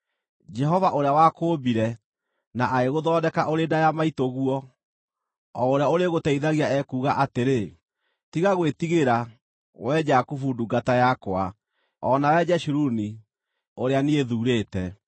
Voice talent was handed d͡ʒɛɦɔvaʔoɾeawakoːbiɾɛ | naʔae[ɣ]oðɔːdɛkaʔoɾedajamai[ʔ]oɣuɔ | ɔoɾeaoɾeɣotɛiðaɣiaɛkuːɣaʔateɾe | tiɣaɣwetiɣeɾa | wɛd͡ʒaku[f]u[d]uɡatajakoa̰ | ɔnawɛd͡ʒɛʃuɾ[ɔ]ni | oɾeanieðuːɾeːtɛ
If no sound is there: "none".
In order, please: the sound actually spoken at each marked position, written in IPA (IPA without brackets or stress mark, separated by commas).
ɣ, t, f, d, u